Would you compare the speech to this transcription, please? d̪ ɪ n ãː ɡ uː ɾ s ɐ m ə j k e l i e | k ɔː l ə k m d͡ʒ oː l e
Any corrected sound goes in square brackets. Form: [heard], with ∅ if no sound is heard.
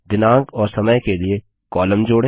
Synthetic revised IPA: d̪ ɪ n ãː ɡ [ɔː] ɾ s ɐ m ə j k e l i e | k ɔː l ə [∅] m d͡ʒ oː [ɽ] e